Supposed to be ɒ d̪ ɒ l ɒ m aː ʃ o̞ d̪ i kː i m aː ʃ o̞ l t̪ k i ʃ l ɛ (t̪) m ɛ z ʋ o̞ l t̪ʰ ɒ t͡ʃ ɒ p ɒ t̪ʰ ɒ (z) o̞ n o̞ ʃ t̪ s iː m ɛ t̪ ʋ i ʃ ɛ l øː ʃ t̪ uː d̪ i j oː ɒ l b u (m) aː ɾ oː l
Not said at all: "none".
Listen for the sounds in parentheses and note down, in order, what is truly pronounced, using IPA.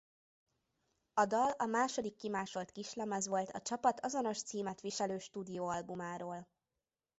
none, z, m

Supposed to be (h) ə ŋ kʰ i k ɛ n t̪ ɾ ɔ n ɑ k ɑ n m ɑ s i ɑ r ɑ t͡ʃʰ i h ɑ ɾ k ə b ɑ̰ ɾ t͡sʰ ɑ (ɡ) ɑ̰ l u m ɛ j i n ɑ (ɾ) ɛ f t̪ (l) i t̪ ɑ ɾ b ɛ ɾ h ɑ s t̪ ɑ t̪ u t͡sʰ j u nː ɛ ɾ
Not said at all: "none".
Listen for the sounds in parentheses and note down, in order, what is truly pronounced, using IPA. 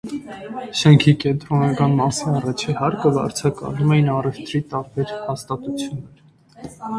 ʃ, k, r, ɾ

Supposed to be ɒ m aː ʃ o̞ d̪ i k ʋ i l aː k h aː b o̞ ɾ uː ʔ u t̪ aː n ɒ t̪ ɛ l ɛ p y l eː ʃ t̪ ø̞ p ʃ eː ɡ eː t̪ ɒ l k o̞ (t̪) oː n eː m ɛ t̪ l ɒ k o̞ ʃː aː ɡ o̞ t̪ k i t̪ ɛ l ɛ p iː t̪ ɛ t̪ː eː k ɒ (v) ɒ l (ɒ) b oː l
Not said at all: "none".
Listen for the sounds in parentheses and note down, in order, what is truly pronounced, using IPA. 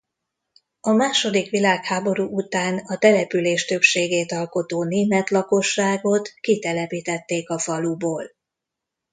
t̪, f, u

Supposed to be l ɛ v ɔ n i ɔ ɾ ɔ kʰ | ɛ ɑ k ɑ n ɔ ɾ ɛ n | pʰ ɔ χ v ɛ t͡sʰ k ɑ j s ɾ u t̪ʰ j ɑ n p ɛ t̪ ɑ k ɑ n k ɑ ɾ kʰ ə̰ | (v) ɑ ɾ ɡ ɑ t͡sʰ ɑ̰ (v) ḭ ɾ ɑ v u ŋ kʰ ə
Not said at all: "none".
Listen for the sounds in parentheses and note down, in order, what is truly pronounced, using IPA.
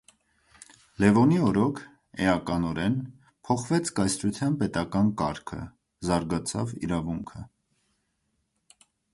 z, v

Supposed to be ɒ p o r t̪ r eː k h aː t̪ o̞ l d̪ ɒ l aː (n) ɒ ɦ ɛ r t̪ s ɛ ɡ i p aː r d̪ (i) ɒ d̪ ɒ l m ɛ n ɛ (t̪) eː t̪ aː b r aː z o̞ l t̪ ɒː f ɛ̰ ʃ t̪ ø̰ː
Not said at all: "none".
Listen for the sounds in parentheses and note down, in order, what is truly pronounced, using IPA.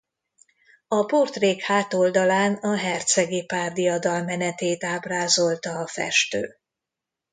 n, i, t̪

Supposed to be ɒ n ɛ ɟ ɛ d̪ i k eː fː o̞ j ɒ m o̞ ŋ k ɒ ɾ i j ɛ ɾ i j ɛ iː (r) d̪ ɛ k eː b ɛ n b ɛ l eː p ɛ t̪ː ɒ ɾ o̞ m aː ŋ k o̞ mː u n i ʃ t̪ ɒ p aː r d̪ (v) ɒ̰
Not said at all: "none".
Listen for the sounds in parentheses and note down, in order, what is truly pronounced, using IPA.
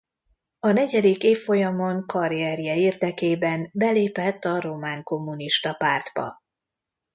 r, b

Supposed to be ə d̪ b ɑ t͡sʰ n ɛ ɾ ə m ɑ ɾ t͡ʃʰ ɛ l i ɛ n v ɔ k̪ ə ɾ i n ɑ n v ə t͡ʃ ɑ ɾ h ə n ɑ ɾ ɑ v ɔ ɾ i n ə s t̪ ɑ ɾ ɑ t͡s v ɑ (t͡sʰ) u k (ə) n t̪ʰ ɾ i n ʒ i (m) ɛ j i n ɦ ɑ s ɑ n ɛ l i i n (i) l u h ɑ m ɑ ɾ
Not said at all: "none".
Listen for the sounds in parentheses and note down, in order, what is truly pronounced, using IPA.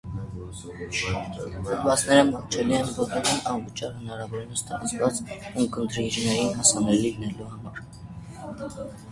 t͡s, ə, n, ɛ

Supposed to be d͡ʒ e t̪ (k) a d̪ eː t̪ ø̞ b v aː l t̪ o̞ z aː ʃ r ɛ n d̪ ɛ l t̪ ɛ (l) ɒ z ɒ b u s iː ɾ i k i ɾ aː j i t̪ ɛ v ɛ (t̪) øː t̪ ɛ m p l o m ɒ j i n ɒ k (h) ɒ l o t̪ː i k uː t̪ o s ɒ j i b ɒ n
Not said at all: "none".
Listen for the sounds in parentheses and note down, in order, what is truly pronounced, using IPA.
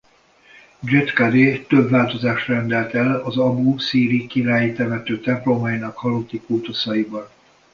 k, l, t̪, h

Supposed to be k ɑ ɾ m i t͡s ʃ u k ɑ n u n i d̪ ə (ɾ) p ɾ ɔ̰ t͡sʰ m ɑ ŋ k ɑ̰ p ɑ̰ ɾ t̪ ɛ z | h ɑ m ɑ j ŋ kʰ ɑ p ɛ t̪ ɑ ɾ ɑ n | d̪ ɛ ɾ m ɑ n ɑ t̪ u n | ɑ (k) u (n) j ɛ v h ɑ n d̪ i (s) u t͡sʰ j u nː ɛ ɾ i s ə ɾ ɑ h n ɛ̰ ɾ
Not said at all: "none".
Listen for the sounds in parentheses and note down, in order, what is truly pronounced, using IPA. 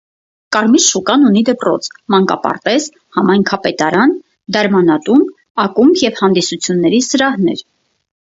none, k, m, s

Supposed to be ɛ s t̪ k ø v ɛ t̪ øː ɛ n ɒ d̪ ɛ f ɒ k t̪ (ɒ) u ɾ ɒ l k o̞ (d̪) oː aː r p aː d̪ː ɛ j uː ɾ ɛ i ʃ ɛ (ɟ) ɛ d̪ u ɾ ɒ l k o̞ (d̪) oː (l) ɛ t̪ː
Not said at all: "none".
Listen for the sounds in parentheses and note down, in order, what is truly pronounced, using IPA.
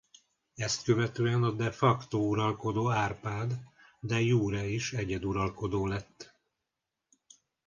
o, d̪, ɟ, d̪, l

